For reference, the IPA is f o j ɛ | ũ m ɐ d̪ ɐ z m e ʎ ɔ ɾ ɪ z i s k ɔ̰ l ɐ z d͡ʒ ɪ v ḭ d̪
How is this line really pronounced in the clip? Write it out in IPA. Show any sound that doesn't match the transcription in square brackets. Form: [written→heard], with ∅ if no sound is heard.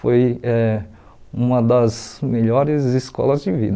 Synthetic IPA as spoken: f o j ɛ | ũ m ɐ d̪ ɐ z m e ʎ ɔ ɾ ɪ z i s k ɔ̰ l ɐ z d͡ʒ ɪ v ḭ d̪

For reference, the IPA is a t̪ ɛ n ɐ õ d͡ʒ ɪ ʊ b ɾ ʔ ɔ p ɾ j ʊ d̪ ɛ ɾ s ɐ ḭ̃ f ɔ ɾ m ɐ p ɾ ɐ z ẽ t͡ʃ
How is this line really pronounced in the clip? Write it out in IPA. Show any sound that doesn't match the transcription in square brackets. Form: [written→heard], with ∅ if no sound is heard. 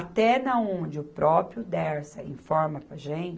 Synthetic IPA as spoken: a t̪ ɛ n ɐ õ d͡ʒ ɪ ʊ [b→p] ɾ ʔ ɔ p ɾ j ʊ d̪ ɛ ɾ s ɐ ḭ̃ f ɔ ɾ m ɐ p ɾ ɐ [z→ʒ] ẽ t͡ʃ

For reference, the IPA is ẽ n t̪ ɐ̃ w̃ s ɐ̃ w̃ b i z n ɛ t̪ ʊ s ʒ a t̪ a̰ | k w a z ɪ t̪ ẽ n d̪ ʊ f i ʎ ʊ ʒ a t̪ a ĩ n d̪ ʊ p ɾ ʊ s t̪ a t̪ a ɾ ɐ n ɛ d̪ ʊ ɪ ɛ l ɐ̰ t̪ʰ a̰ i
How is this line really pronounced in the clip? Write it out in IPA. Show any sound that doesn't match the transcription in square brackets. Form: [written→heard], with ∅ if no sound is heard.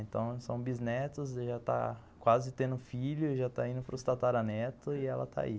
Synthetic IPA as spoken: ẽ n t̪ ɐ̃ w̃ s ɐ̃ w̃ b i z n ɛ t̪ ʊ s ʒ a t̪ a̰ | k w a z ɪ t̪ ẽ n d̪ ʊ f i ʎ ʊ ʒ a t̪ a ĩ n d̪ ʊ p ɾ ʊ s t̪ a t̪ a ɾ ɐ n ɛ [d̪→t̪] ʊ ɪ ɛ l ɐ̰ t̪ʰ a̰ i

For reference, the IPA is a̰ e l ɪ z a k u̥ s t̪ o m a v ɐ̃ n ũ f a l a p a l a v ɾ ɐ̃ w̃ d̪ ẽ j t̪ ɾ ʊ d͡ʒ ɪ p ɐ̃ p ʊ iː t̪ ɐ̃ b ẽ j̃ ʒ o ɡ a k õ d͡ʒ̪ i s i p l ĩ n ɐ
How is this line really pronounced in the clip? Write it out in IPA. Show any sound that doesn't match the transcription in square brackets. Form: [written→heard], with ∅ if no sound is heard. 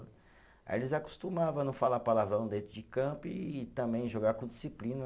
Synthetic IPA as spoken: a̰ e l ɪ z a k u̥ s t̪ [o→u] m a v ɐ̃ n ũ f a l a p a l a v ɾ ɐ̃ w̃ d̪ ẽ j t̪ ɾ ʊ d͡ʒ ɪ [p→k] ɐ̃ p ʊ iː t̪ ɐ̃ b ẽ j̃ ʒ o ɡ a k õ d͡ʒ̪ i s i p l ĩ n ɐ

